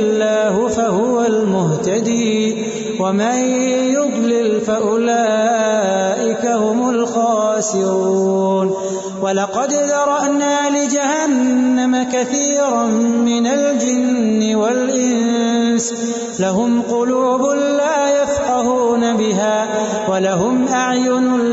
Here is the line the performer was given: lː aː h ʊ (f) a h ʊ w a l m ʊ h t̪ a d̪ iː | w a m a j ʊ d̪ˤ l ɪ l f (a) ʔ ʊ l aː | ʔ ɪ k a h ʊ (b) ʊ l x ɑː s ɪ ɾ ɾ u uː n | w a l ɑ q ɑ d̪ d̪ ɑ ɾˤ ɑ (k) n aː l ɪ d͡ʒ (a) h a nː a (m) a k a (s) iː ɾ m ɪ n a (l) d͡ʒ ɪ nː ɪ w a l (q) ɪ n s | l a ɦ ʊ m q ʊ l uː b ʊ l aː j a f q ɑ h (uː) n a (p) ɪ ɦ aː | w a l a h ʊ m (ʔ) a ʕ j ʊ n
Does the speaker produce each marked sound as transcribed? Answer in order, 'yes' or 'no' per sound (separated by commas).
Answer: yes, yes, no, no, yes, yes, no, yes, no, yes, no, yes